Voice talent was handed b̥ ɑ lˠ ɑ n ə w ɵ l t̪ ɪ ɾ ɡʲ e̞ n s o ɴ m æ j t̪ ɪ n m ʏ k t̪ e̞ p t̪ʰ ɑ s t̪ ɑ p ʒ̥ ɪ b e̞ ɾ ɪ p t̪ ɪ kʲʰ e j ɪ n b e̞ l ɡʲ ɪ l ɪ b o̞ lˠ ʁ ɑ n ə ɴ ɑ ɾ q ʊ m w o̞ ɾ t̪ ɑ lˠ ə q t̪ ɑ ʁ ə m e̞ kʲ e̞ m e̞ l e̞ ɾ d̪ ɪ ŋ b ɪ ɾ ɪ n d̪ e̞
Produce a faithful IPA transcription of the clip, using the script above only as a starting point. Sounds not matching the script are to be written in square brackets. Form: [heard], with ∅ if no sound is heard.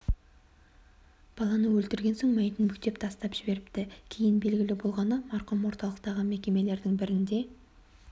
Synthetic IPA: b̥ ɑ lˠ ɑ n ə w ɵ l t̪ ɪ ɾ ɡʲ e̞ n s o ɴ m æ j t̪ ɪ n m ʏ k t̪ e̞ p t̪ʰ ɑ s t̪ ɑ p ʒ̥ ɪ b e̞ ɾ ɪ p t̪ ɪ kʲʰ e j ɪ n b e̞ l ɡʲ ɪ l ɪ b o̞ lˠ ʁ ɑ n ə [m] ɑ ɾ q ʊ m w o̞ ɾ t̪ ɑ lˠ ə q t̪ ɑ ʁ ə m e̞ kʲ e̞ m e̞ l e̞ ɾ d̪ ɪ ŋ b ɪ ɾ ɪ n d̪ e̞